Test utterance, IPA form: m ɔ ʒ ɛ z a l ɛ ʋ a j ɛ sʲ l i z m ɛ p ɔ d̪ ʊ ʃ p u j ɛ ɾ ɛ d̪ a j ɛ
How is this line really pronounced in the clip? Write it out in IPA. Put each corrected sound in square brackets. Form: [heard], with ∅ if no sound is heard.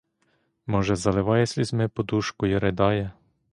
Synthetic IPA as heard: m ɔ ʒ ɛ z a l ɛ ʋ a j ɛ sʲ l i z m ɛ p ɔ d̪ [u] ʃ [k] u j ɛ ɾ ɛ d̪ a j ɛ